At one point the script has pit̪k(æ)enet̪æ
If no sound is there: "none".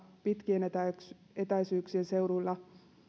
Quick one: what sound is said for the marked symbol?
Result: i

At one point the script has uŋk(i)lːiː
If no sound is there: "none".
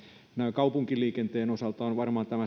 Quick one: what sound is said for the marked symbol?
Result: i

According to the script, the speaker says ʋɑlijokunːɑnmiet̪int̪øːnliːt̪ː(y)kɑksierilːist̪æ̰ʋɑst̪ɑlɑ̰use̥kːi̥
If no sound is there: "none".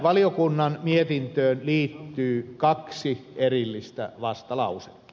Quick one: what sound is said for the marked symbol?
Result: yː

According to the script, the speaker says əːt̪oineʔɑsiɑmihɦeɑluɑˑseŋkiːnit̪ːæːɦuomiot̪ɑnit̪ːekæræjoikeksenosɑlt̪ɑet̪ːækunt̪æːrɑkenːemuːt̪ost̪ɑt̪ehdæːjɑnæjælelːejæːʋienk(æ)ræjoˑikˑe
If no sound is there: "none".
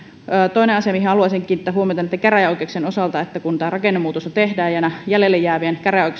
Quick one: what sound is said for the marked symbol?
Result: æ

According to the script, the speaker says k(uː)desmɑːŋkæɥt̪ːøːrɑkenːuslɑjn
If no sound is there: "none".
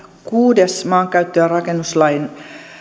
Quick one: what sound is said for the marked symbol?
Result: uː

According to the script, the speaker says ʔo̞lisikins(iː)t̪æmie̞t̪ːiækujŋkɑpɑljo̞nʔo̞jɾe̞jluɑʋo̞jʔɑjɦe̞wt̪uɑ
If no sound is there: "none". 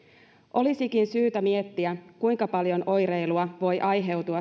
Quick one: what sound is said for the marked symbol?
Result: yː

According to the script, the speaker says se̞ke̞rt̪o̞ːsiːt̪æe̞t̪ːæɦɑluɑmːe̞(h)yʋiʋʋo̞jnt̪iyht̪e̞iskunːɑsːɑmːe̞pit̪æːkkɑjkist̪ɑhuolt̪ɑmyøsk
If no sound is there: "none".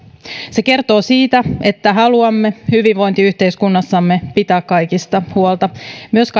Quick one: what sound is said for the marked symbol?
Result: h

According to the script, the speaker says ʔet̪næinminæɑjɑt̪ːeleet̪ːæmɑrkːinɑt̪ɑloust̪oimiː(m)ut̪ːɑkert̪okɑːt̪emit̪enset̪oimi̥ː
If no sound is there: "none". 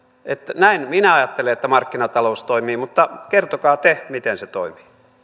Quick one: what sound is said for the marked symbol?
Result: m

